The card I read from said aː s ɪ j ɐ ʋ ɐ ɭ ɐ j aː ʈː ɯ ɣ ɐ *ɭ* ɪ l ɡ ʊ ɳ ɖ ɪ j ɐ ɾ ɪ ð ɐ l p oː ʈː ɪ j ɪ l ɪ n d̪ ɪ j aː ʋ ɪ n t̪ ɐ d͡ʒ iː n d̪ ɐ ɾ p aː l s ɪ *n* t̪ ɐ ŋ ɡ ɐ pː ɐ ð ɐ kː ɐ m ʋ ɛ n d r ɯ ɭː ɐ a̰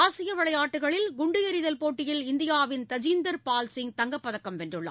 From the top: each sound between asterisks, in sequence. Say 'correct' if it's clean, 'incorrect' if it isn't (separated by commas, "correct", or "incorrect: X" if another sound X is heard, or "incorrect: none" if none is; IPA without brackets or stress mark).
correct, incorrect: ŋ